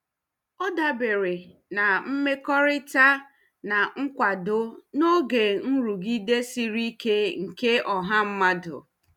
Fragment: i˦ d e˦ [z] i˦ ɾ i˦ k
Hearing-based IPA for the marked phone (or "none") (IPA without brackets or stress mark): s